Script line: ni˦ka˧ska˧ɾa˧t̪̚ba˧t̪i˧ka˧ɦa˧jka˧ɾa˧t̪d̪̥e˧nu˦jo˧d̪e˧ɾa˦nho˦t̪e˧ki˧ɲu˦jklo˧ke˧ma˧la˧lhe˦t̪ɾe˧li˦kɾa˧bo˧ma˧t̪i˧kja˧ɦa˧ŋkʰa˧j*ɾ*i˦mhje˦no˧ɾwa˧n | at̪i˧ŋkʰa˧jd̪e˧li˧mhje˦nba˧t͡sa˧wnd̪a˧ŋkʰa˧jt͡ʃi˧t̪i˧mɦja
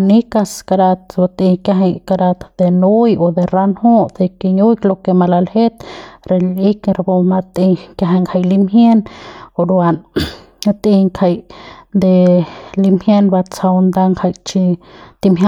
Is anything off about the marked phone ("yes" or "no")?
yes